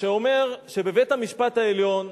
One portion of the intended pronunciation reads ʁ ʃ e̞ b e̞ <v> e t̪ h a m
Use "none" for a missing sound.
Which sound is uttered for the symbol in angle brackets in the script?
v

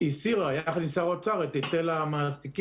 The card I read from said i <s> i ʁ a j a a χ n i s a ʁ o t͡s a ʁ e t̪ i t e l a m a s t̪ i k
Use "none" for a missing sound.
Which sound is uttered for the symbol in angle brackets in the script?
s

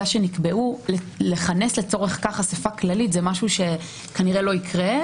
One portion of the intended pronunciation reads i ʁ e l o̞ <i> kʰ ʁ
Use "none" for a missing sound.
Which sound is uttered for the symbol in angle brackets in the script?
i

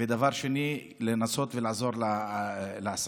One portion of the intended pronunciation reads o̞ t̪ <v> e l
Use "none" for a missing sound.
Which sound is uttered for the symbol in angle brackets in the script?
v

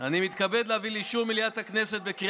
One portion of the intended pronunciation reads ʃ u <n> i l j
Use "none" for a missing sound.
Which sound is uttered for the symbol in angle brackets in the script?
m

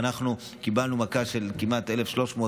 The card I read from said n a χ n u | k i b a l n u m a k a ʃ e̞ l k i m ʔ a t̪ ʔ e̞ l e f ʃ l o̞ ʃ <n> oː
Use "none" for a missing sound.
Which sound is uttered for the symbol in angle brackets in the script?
m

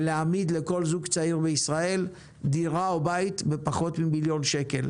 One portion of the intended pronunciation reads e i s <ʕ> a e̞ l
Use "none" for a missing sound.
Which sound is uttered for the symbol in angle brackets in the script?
ʁ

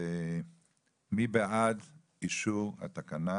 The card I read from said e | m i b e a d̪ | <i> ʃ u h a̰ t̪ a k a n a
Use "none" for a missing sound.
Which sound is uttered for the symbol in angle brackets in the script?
i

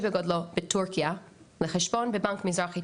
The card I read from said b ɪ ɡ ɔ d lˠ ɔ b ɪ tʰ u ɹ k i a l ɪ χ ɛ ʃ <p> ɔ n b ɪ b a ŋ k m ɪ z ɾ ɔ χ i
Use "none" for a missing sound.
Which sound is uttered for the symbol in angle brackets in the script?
b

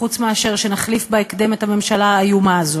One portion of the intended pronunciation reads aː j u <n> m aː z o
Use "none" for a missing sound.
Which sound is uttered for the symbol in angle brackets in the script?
none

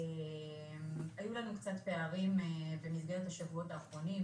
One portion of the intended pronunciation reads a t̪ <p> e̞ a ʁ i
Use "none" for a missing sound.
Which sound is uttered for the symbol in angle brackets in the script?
p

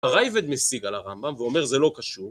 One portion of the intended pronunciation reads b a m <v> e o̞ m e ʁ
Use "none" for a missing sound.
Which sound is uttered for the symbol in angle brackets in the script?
v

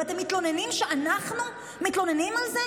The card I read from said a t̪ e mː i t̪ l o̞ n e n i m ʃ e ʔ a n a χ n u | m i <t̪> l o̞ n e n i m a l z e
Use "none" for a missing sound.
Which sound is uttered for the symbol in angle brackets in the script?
t̪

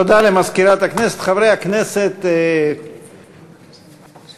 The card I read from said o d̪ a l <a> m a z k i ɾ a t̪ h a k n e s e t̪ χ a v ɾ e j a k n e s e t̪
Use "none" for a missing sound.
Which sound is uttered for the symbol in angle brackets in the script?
e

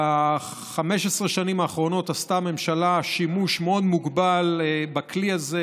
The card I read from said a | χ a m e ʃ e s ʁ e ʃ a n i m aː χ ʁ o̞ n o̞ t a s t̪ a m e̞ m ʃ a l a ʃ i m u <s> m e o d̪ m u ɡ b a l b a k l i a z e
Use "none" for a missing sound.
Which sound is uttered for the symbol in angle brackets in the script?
ʃ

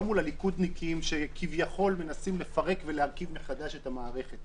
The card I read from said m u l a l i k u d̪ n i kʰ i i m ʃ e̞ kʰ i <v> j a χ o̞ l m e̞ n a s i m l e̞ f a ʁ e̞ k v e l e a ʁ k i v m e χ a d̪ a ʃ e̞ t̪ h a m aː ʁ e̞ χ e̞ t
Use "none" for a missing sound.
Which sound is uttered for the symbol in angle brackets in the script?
v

